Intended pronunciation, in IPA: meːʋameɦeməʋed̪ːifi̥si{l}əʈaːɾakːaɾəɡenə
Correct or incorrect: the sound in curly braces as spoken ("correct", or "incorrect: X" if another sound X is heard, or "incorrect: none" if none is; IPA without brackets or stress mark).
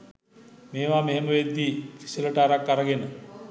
correct